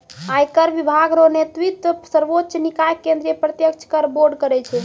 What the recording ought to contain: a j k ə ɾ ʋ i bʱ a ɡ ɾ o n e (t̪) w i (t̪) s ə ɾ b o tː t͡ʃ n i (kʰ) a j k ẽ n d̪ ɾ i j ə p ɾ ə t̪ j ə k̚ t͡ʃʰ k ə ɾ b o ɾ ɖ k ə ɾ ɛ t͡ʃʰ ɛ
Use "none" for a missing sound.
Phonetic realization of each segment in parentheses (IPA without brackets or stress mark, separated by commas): t̪, t̪, k